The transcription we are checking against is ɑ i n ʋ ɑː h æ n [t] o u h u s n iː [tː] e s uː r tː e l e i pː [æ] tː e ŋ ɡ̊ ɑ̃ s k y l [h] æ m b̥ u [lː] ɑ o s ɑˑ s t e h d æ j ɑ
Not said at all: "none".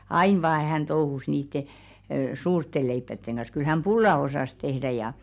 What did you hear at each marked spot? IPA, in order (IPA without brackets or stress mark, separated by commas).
t, tː, æ, h, lː